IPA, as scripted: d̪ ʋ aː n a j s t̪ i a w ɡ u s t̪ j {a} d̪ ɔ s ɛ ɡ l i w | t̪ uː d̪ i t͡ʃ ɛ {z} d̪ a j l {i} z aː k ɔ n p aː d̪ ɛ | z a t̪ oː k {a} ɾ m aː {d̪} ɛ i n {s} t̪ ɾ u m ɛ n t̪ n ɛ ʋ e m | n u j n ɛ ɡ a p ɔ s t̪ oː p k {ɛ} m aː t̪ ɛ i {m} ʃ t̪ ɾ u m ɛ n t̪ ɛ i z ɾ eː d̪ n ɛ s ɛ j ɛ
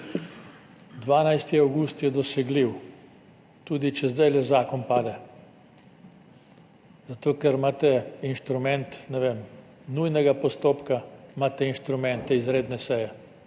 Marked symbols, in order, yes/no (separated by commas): no, yes, no, no, no, no, no, no